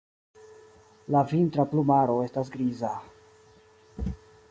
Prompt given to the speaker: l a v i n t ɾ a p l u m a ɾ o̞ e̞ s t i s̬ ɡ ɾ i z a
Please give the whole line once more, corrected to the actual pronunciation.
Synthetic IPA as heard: l a v i n t ɾ a p l u m a ɾ o̞ e̞ s t a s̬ ɡ ɾ i z a